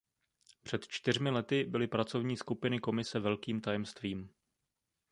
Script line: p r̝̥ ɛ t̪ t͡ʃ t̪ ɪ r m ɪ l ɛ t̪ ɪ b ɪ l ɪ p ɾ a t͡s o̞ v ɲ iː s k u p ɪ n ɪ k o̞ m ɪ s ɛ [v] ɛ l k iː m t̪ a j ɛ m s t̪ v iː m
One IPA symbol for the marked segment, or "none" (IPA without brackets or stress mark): v